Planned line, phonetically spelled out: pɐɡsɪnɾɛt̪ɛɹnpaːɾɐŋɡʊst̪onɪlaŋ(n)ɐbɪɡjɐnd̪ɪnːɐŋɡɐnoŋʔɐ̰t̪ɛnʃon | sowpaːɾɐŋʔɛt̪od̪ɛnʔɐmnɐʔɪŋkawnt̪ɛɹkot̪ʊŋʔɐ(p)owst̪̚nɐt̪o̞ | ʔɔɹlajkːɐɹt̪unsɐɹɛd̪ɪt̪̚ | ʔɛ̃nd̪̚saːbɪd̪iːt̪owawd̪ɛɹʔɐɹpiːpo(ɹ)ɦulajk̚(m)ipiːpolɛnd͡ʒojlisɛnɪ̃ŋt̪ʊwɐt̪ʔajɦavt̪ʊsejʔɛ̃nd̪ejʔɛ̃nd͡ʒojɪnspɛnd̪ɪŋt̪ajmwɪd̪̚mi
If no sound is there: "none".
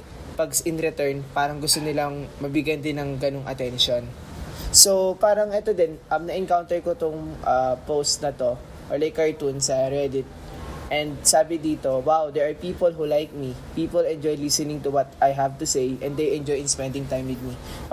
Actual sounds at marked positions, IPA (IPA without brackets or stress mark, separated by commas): m, p, l, m